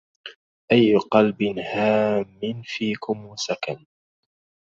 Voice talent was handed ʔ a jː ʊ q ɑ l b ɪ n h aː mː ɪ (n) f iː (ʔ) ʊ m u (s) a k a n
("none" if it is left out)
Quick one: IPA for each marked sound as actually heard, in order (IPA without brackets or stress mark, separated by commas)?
n, k, s